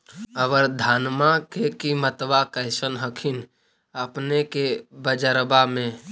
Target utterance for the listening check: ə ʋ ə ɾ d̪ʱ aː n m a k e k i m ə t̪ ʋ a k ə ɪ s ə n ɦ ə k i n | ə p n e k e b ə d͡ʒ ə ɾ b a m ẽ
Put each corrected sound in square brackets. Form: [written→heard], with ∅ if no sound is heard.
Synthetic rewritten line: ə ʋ ə ɾ d̪ʱ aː n m a k e k i m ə t̪ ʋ a k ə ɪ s ə n ɦ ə [k→kʰ] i n | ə p n e k e b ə d͡ʒ ə ɾ b a m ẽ